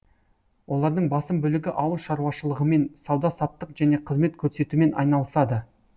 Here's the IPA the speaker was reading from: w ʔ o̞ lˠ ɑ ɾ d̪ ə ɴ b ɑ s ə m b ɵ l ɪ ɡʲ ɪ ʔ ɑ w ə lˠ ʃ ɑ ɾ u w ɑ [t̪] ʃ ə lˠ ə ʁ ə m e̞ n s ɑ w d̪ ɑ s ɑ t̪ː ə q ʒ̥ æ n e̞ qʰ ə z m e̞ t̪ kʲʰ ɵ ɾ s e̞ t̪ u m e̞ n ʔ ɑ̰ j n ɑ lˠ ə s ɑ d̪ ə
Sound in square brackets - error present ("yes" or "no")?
yes